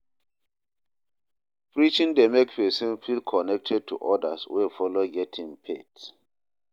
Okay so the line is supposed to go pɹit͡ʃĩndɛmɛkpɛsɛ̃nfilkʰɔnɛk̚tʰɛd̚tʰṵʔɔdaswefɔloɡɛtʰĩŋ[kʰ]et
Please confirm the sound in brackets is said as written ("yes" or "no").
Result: no